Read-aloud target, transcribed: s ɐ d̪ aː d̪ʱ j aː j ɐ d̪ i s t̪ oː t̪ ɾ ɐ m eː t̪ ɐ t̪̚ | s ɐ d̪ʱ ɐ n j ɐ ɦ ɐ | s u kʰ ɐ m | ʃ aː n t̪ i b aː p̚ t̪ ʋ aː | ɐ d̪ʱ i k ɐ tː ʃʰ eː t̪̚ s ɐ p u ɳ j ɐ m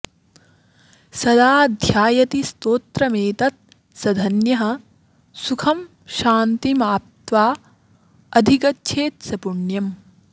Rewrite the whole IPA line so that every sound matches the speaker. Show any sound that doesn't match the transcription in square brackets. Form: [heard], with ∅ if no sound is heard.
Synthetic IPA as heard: s ɐ d̪ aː d̪ʱ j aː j ɐ [t̪] i s t̪ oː t̪ ɾ ɐ m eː t̪ ɐ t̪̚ | s ɐ d̪ʱ ɐ n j ɐ ɦ ɐ | s u kʰ ɐ m | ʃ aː n t̪ i [m] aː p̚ t̪ ʋ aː | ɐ d̪ʱ i k ɐ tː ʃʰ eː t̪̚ s ɐ p u ɳ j ɐ m